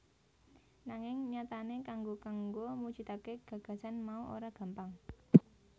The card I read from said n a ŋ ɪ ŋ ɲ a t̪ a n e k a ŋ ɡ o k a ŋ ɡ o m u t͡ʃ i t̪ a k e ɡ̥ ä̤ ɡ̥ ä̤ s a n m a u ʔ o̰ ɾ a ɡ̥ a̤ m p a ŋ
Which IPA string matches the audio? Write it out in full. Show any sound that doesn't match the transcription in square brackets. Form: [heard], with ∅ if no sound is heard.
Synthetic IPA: n a ŋ ɪ ŋ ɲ a t̪ a n e k a ŋ ɡ o k a ŋ ɡ o m u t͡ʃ i t̪ a k e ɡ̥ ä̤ ɡ̥ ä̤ s a n m a u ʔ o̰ ɾ a ɡ̥ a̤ m p a ŋ